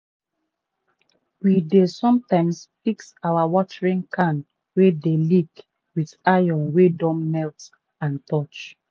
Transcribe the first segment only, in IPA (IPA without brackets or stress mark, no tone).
w